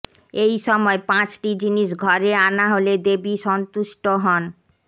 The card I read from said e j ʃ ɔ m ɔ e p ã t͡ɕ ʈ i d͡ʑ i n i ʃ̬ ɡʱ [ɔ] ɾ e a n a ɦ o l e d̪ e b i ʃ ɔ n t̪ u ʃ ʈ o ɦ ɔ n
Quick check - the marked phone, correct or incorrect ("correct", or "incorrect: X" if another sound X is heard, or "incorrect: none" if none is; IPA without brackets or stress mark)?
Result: correct